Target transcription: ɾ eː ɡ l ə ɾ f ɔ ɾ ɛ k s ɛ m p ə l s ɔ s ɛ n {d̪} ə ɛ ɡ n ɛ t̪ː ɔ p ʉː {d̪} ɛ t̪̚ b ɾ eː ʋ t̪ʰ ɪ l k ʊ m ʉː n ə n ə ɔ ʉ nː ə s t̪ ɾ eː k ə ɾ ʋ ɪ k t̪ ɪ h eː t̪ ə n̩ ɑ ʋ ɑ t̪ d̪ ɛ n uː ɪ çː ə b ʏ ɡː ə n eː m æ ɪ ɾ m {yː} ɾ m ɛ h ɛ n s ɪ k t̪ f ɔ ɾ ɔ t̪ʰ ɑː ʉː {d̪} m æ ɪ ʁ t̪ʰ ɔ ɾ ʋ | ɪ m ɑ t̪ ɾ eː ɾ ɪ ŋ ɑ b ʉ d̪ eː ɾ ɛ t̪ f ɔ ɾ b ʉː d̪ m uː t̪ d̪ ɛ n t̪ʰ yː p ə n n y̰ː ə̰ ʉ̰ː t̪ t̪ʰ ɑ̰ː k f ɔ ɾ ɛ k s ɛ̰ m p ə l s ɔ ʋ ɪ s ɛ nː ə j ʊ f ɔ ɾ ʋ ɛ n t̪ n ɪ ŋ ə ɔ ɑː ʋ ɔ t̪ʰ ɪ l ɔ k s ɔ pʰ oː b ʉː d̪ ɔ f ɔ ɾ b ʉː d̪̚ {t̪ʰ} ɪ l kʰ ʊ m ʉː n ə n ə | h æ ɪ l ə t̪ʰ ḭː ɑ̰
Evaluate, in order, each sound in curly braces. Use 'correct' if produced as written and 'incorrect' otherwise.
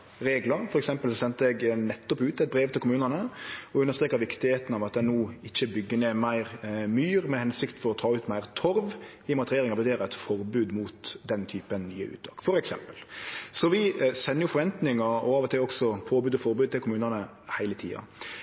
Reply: incorrect, incorrect, correct, incorrect, incorrect

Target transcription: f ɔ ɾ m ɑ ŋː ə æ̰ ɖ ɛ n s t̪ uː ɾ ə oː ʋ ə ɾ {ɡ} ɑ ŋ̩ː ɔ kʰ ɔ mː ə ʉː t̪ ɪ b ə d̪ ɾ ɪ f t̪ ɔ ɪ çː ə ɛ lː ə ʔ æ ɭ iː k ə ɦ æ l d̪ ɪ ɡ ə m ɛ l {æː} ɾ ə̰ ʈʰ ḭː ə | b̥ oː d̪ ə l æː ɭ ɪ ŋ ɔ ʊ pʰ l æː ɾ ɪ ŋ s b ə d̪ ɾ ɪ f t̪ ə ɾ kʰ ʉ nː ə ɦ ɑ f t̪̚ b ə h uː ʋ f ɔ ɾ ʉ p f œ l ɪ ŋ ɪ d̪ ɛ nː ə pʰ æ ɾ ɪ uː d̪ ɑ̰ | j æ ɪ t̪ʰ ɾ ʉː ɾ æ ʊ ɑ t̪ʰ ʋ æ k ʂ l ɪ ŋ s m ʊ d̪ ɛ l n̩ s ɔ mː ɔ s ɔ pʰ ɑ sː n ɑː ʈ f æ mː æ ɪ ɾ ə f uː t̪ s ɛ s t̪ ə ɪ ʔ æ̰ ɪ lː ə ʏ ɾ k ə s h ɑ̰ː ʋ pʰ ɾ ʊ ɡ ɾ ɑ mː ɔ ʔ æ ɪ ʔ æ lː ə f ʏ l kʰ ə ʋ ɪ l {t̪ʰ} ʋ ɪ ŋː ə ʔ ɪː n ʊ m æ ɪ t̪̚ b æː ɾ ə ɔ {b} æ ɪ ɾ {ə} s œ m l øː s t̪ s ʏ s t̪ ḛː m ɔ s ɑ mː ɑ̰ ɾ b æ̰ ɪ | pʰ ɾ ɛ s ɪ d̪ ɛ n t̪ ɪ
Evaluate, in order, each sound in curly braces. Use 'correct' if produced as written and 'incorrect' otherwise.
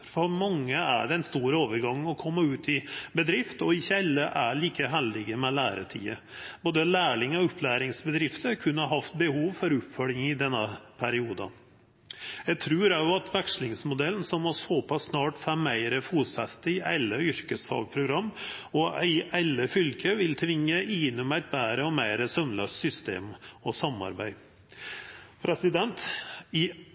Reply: correct, correct, correct, incorrect, correct

